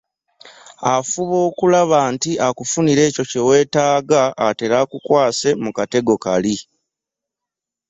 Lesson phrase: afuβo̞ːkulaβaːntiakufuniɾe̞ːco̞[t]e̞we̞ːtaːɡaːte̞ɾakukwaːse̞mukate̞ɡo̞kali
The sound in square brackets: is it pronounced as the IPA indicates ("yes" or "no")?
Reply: no